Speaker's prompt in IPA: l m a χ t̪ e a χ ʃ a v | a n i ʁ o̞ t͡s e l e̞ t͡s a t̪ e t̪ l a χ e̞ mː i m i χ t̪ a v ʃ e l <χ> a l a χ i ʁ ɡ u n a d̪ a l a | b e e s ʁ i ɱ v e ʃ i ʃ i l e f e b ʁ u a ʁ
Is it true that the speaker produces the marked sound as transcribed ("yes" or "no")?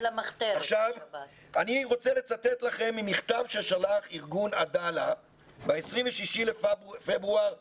no